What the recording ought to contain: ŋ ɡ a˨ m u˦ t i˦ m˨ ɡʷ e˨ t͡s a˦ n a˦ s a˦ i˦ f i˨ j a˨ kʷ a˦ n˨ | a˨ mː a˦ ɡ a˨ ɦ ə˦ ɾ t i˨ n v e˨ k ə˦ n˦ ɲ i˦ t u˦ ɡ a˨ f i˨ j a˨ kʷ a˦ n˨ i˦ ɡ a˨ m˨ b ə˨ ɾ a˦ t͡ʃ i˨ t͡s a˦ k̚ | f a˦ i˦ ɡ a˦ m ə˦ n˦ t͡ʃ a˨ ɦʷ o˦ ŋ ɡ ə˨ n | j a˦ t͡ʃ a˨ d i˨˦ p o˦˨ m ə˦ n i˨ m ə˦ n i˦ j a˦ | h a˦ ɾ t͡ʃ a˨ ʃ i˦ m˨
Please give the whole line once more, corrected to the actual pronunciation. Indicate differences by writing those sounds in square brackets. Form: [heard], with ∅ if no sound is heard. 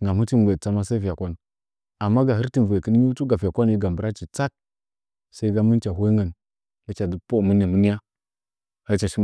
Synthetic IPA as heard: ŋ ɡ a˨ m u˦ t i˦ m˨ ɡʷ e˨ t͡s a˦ [m] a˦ s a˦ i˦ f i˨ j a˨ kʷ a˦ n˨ | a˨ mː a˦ ɡ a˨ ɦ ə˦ ɾ t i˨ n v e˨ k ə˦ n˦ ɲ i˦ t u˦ ɡ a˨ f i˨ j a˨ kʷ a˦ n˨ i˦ ɡ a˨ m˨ b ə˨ ɾ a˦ t͡ʃ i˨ t͡s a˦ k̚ | [s] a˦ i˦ ɡ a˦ m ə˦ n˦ t͡ʃ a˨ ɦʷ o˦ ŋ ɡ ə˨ n | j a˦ t͡ʃ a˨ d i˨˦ p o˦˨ m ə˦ n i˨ m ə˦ n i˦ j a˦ | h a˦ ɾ t͡ʃ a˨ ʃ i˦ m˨

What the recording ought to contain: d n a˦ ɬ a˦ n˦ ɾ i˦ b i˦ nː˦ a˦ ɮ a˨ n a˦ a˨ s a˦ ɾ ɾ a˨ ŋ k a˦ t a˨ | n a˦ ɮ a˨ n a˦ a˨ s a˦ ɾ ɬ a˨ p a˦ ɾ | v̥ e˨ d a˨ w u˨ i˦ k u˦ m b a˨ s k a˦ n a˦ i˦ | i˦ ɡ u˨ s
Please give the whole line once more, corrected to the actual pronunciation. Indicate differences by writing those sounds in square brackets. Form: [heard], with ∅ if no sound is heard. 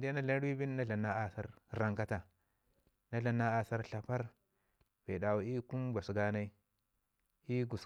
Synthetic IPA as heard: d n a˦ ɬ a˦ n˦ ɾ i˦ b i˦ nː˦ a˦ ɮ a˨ n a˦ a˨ s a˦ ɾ ɾ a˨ ŋ k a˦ t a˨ | n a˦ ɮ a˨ n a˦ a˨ s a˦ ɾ ɬ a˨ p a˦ ɾ | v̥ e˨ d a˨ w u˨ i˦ k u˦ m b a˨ s [ɡ] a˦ n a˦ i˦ | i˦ ɡ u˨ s

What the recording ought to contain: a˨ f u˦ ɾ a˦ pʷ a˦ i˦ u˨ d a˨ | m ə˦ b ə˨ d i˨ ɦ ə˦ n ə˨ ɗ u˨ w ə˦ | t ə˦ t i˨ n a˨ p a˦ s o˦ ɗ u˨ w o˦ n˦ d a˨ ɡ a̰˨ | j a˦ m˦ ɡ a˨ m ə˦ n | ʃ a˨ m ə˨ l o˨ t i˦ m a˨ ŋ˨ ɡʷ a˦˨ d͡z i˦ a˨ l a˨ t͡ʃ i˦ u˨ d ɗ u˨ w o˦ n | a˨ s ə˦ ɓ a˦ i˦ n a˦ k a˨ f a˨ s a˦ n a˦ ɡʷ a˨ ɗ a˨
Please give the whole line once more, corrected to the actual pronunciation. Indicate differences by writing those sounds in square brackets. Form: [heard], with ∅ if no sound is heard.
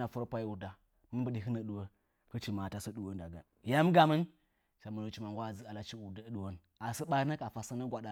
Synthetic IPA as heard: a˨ f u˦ ɾ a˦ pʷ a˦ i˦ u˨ d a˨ | m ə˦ b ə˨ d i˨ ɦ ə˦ n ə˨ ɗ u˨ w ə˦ | [k] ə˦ [t͡ʃ] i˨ [m] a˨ [t] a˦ s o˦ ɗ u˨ w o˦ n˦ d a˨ ɡ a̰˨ | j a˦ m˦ ɡ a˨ m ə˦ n | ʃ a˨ m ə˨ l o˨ [t͡ʃ] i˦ m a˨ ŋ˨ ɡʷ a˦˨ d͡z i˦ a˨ l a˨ t͡ʃ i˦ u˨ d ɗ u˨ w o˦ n | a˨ s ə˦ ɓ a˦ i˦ n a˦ k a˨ f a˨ s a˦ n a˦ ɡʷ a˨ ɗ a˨

